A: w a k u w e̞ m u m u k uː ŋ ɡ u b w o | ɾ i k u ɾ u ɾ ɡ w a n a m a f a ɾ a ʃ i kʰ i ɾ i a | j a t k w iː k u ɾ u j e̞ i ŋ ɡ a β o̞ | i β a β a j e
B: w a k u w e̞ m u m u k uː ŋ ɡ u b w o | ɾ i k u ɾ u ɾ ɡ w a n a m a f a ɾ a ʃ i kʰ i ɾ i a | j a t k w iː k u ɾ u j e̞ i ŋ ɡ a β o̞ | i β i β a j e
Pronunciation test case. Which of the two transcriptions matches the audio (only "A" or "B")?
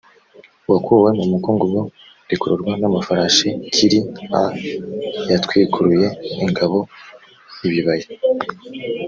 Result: B